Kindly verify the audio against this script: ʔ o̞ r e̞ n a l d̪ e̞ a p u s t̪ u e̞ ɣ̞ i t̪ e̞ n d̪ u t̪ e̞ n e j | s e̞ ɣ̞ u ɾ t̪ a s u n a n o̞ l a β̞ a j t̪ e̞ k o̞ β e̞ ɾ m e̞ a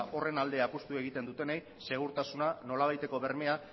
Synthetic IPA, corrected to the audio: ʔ o̞ r e̞ n a l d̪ e̞ a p u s t̪ u e̞ ɣ̞ i t̪ e̞ n d̪ u t̪ e̞ n e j | s e̞ ɣ̞ u ɾ t̪ a s u n a n o̞ l a β̞ a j t̪ e̞ k o̞ β e̞ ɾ m e̞ a